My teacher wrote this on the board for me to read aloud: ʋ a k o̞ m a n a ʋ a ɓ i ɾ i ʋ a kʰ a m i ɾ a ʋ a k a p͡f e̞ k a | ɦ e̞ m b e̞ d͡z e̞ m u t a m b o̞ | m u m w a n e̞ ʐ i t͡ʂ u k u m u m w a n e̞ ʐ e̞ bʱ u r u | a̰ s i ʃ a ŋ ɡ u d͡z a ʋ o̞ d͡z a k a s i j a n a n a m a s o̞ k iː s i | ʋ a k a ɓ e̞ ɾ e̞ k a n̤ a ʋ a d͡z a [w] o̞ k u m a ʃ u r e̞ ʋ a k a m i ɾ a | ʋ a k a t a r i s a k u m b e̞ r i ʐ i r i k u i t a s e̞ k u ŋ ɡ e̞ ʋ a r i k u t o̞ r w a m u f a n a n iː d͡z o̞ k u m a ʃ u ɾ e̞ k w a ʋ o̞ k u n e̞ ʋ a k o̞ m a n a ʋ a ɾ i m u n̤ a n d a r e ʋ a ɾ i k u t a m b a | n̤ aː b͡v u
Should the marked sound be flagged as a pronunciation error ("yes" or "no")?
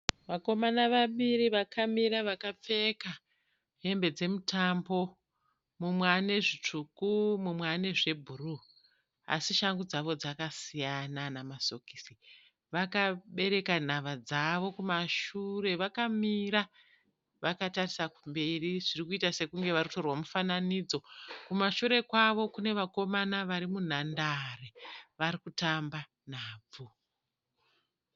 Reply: yes